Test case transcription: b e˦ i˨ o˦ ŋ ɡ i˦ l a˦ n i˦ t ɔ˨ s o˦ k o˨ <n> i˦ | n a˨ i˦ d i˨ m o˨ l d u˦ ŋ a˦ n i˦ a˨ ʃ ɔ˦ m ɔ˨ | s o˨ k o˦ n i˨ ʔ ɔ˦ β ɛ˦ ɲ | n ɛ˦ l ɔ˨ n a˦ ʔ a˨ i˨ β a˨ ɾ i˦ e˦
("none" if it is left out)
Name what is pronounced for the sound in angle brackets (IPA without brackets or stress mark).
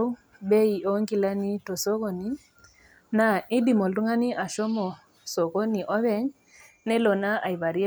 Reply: n